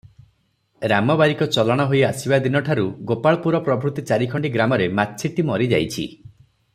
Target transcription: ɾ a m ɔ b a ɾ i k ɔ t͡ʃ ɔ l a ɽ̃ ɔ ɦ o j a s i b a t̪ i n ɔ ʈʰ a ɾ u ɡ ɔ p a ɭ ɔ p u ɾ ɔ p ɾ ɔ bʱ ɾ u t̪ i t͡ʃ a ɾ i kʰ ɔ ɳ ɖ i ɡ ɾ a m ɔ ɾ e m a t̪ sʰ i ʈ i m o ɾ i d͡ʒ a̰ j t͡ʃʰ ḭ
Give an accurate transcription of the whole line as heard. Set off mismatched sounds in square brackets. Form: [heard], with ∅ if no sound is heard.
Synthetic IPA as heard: ɾ a m ɔ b a ɾ i k ɔ t͡ʃ ɔ l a ɽ̃ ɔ ɦ o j a s i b a [d̪] i n ɔ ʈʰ a ɾ u ɡ [o] p a ɭ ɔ p u ɾ ɔ p ɾ ɔ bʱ ɾ u t̪ i t͡ʃ a ɾ i kʰ ɔ ɳ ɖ i ɡ ɾ a m ɔ ɾ e m a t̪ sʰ i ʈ i m [ɔ] ɾ i d͡ʒ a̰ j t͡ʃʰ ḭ